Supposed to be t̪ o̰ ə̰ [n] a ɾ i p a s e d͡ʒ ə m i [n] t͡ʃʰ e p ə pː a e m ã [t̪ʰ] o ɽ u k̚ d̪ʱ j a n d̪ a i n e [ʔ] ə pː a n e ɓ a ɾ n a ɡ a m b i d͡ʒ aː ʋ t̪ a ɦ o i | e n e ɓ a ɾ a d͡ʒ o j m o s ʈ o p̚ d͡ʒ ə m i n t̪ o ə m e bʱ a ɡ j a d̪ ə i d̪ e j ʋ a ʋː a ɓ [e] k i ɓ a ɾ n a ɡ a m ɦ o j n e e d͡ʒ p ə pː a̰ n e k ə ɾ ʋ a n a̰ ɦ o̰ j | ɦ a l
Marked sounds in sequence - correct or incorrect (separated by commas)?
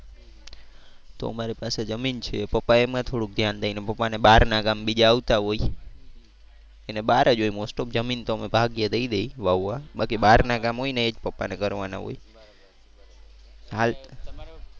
incorrect, correct, correct, incorrect, incorrect